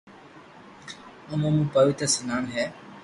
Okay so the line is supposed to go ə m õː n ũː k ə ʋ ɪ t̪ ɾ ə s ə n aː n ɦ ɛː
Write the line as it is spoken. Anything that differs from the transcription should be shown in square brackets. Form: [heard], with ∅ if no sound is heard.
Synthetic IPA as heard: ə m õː [m] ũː [p] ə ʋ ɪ t̪ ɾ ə s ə n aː n ɦ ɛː